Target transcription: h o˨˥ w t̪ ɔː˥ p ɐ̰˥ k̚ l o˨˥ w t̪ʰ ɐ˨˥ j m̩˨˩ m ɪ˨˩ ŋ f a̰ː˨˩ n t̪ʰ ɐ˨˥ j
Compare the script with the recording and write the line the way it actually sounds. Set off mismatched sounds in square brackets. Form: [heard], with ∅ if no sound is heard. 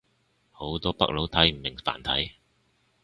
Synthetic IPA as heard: h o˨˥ w t̪ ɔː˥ p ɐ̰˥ k̚ l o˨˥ w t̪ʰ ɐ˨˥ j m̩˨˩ m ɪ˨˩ ŋ f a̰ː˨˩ n t̪ʰ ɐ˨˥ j